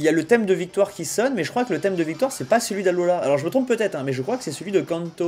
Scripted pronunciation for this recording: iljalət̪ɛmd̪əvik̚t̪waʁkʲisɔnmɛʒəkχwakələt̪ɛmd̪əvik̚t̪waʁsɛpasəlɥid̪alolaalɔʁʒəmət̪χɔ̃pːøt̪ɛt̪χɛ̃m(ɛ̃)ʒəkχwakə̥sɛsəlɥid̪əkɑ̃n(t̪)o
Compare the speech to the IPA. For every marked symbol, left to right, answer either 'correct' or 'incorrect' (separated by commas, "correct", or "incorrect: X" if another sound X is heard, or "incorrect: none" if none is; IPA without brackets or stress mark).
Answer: incorrect: ɛ, correct